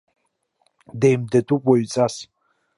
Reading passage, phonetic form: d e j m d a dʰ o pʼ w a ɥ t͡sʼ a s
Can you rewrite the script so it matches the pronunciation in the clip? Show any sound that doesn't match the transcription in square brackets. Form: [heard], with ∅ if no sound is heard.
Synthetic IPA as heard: d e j m d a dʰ [u] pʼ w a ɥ t͡sʼ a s